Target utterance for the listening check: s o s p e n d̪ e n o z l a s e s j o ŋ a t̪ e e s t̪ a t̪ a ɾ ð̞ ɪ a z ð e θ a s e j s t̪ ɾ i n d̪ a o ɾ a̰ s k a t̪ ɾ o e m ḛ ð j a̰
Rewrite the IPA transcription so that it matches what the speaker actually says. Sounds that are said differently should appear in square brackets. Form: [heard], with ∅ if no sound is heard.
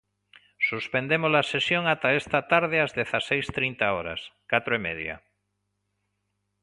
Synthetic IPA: s [u] s p e n d̪ e [m] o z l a s e s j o ŋ a t̪ [a] e s t̪ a t̪ a ɾ ð̞ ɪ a z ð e θ a s e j s t̪ ɾ i n [t̪] a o ɾ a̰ s k a t̪ ɾ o e m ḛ ð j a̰